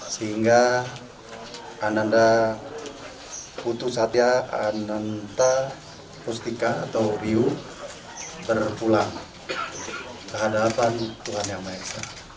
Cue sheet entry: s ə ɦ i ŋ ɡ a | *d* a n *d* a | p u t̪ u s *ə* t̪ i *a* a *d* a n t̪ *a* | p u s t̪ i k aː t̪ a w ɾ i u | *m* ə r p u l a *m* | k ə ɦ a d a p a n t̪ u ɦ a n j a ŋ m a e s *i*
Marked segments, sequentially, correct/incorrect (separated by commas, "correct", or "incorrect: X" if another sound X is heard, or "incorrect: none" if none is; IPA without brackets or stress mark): incorrect: n, correct, incorrect: a, correct, incorrect: n, correct, incorrect: b, incorrect: ŋ, incorrect: a